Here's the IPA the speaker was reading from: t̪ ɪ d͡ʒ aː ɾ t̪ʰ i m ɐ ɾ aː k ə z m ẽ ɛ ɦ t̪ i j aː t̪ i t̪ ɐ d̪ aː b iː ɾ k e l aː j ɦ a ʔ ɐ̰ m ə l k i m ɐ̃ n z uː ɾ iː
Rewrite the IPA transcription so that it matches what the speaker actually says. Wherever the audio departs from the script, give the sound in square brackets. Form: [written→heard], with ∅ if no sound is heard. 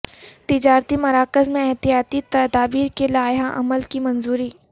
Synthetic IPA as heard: t̪ ɪ d͡ʒ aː ɾ [t̪ʰ→t̪] i m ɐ ɾ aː k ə z m ẽ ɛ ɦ t̪ i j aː t̪ i t̪ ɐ d̪ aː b iː ɾ k e l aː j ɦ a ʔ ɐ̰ m ə l k i m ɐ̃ n z uː ɾ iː